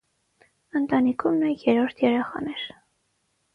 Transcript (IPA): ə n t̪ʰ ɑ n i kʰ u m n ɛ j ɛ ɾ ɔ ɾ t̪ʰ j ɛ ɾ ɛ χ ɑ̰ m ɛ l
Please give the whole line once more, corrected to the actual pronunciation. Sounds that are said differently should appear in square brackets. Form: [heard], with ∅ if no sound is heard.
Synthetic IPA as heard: ə n [t̪] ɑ n i kʰ u m n ɛ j ɛ ɾ ɔ ɾ t̪ʰ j ɛ ɾ ɛ χ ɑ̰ [n] ɛ [ɾ]